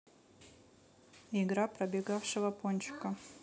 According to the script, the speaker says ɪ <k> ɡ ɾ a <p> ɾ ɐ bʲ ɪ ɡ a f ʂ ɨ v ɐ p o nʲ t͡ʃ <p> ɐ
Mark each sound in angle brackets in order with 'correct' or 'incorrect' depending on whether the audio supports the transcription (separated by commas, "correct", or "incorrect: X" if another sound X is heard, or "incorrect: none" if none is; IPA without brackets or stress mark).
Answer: incorrect: none, correct, incorrect: k